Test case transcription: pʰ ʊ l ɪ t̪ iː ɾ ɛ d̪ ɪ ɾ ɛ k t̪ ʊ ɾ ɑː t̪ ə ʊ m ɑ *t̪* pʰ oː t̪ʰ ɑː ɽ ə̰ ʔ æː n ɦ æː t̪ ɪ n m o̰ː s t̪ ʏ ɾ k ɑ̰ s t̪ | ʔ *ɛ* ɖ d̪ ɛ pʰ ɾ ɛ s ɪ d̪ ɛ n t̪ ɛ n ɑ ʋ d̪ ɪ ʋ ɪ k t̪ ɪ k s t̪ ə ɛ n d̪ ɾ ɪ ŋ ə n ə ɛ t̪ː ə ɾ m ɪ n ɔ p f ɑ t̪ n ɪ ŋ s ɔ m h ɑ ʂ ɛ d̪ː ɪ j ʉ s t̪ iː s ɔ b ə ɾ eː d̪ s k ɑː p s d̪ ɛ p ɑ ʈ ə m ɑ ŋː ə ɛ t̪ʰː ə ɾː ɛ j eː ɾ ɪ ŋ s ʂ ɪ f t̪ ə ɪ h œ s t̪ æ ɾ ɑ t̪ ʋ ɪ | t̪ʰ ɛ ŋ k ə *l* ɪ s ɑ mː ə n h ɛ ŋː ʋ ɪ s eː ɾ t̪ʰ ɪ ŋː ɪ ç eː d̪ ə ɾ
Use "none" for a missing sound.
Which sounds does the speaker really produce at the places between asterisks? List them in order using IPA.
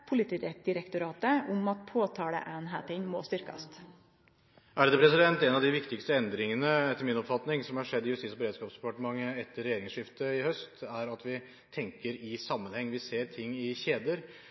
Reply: t̪, æ, ɾ

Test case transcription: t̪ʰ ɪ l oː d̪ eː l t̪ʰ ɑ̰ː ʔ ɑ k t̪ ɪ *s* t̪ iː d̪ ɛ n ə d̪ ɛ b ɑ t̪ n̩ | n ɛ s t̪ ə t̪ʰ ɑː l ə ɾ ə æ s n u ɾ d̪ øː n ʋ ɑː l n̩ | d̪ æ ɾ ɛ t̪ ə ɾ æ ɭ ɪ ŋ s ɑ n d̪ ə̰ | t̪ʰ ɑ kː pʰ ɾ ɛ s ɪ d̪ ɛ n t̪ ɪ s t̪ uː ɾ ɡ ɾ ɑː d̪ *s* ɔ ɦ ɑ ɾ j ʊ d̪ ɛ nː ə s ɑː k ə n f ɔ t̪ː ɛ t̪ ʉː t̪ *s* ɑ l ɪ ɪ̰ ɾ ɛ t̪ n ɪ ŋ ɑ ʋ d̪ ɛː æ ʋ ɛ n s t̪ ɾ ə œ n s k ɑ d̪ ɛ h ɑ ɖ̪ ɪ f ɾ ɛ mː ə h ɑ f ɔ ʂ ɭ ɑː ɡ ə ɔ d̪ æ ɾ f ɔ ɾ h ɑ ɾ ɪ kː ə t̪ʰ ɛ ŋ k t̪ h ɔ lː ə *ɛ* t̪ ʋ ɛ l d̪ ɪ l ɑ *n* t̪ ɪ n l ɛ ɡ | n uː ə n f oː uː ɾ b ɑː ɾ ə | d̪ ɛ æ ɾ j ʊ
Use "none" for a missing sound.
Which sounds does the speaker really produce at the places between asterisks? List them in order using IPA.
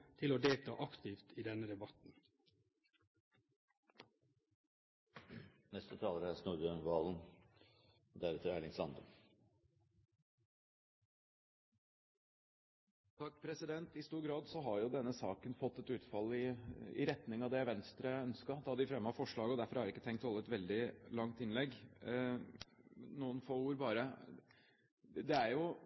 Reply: f, s, f, ɛ, ŋ

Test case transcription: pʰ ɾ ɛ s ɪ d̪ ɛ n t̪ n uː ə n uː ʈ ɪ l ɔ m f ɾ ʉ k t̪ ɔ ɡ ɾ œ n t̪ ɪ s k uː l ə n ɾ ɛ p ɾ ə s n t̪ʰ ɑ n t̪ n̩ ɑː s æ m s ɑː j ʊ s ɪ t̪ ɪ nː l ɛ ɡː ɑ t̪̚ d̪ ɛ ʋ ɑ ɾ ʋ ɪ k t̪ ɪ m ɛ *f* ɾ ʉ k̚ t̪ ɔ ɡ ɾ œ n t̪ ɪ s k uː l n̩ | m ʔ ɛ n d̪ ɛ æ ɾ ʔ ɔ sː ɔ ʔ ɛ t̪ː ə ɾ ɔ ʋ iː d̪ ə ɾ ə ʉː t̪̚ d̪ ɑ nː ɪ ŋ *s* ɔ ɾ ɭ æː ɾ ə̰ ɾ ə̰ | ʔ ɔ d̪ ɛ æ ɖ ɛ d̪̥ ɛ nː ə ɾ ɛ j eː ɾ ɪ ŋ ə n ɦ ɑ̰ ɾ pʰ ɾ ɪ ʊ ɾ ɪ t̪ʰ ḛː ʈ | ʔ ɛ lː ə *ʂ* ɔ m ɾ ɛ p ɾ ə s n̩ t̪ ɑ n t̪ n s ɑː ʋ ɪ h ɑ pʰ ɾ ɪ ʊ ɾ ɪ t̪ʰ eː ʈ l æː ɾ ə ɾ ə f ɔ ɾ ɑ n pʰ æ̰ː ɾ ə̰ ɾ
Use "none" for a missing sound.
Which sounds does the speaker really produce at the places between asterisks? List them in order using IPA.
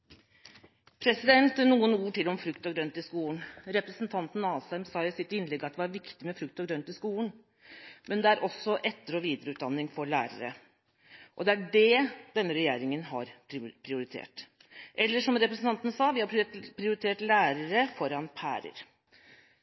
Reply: f, f, ʂ

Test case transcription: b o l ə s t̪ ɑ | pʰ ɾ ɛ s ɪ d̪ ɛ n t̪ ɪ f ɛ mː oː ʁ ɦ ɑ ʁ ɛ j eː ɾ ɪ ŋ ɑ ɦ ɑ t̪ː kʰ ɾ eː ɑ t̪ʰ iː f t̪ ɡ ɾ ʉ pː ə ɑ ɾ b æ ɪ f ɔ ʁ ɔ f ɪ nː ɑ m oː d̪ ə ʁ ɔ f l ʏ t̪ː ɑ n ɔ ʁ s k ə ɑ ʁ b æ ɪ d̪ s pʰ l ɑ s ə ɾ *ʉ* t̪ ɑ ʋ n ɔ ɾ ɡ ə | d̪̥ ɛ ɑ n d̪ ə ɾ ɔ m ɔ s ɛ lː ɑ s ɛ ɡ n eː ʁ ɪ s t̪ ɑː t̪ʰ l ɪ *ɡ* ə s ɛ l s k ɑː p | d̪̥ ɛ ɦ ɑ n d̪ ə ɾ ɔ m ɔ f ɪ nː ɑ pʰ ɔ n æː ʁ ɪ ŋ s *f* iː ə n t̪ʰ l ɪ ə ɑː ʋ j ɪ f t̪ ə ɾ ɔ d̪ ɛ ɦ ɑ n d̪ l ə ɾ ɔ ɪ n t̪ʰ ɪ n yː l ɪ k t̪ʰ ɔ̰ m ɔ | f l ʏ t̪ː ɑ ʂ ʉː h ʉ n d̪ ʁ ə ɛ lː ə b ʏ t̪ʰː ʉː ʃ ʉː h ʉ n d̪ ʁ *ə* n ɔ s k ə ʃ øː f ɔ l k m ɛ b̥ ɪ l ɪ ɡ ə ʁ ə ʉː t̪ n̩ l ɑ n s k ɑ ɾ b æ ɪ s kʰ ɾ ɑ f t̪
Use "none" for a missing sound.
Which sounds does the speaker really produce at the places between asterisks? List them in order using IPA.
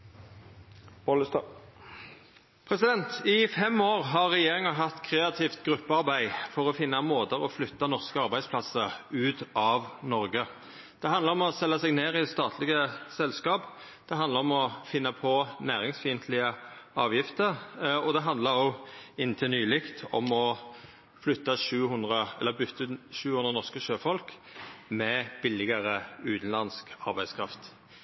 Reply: ʉː, ɡ, f, ə

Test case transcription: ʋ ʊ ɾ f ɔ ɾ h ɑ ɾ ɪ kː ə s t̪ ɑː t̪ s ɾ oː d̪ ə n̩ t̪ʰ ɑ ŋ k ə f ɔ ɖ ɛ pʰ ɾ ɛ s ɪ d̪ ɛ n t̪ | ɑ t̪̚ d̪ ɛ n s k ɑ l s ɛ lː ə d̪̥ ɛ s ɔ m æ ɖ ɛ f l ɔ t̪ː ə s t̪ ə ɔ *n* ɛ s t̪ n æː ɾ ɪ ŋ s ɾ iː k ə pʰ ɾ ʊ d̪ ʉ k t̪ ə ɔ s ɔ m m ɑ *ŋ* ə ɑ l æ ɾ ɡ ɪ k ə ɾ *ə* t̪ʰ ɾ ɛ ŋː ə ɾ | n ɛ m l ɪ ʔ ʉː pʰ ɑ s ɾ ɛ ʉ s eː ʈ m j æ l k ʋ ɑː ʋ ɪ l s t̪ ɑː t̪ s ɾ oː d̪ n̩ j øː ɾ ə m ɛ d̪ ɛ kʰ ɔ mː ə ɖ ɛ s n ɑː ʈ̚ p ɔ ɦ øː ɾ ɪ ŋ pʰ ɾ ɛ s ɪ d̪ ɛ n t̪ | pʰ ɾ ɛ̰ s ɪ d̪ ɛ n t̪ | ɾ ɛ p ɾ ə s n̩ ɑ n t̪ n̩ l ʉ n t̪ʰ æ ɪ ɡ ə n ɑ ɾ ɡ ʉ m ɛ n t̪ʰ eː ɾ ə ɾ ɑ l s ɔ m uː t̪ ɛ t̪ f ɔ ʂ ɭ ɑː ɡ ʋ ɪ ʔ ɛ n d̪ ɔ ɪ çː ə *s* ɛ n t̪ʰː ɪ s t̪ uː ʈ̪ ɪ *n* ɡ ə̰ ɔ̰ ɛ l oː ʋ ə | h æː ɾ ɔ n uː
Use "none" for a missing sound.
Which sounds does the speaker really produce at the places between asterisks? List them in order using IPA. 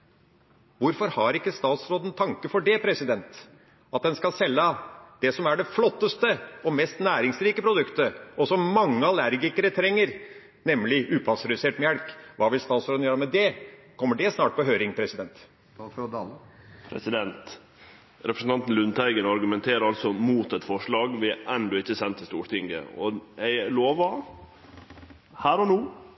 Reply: m, ŋː, ə, s, ŋ

